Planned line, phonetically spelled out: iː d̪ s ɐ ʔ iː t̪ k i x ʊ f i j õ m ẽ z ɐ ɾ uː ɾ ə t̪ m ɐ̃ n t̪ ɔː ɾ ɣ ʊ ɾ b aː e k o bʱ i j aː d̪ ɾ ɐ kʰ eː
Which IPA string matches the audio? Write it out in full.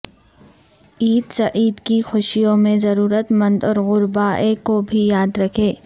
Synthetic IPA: iː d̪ s ɐ ʔ iː d̪ k i x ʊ ʃ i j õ m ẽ z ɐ ɾ uː ɾ ə t̪ m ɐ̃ n d̪ ɔː ɾ ɣ ʊ ɾ b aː e k o bʱ i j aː d̪ ɾ ɐ kʰ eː